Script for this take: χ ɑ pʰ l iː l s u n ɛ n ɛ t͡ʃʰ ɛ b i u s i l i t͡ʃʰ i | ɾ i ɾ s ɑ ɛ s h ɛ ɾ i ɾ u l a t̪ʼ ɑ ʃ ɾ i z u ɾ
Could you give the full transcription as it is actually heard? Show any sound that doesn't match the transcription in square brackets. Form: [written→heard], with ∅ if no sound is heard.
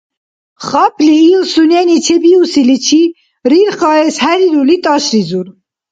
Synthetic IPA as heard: χ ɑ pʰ l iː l s u n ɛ n [ɛ→i] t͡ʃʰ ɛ b i u s i l i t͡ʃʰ i | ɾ i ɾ [s→χ] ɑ ɛ s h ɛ ɾ i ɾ u l [a→i] t̪ʼ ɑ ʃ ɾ i z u ɾ

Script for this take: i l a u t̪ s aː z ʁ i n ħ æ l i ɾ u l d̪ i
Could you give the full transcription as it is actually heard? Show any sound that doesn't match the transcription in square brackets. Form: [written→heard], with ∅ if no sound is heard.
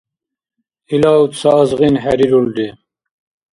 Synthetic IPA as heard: i l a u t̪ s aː z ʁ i n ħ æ [l→ɾ] i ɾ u l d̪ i

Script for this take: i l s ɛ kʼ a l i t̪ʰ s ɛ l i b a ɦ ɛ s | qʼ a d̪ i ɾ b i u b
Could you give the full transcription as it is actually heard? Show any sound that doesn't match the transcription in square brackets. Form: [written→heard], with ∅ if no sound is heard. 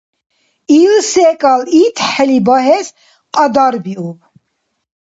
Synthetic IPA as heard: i l s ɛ kʼ a l i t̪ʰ [s→ħ] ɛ l i b a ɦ ɛ s | qʼ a d̪ [i→a] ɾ b i u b

